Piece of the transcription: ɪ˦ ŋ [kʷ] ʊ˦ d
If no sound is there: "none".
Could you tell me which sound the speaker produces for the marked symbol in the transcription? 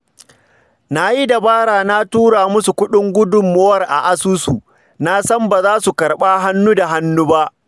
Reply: ɡʷ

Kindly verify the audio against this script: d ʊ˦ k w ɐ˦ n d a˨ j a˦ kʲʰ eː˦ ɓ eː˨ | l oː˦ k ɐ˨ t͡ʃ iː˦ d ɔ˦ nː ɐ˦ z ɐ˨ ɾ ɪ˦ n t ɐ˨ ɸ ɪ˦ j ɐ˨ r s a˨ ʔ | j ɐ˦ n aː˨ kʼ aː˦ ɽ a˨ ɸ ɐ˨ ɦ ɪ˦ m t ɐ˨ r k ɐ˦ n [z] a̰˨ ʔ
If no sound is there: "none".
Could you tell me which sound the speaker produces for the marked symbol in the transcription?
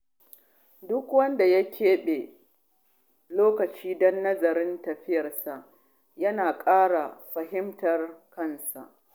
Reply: s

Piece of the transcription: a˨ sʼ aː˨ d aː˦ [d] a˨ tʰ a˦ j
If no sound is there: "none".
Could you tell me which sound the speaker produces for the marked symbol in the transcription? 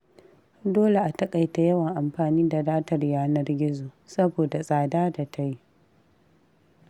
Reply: d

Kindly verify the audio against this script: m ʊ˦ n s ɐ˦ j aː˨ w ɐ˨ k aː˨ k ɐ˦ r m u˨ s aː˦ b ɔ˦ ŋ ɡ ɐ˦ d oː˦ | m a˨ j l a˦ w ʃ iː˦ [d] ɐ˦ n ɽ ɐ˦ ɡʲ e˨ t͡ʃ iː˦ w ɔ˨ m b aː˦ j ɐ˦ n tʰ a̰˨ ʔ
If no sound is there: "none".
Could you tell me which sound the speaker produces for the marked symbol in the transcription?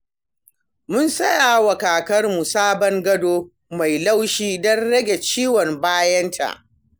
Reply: d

